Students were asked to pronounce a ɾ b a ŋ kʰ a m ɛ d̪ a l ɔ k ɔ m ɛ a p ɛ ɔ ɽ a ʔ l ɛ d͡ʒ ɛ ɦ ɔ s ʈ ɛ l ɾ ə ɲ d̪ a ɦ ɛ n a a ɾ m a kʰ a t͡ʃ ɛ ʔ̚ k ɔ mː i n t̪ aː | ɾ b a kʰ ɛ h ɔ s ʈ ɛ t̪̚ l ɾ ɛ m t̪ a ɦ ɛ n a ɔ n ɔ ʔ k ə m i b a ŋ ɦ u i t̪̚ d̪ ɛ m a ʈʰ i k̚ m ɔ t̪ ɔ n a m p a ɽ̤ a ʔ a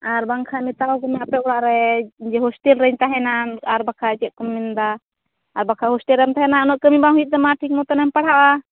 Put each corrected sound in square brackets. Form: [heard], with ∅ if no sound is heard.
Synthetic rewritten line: a ɾ b a ŋ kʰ a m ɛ [t̪] a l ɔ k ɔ m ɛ a p ɛ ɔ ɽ a ʔ [ɾ] ɛ d͡ʒ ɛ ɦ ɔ s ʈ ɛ l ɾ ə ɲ [t̪] a ɦ ɛ n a a ɾ [b] a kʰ a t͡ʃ ɛ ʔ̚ k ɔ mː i n [d̪] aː | ɾ b a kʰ [a] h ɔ s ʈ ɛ [∅] l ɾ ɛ m t̪ a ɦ ɛ n a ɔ n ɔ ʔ k ə m i b a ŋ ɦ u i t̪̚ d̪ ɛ m a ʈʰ i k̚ m ɔ t̪ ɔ n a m p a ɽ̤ a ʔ a